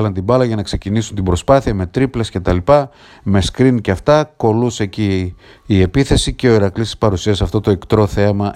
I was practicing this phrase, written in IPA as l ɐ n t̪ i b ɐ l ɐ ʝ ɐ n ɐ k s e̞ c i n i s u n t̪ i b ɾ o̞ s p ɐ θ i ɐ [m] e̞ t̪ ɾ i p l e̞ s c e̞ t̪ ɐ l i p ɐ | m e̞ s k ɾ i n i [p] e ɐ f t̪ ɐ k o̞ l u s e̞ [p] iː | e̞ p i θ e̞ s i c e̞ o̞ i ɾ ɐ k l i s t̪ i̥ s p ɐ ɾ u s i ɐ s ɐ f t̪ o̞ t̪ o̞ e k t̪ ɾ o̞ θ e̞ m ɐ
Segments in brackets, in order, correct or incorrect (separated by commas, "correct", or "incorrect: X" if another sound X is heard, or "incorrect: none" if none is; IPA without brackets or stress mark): correct, incorrect: c, incorrect: c